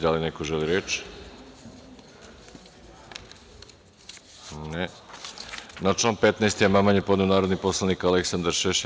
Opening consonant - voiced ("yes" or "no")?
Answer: yes